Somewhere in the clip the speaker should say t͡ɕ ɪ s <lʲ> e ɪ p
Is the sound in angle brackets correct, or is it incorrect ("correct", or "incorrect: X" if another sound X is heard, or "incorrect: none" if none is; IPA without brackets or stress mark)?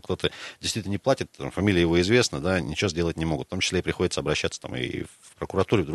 correct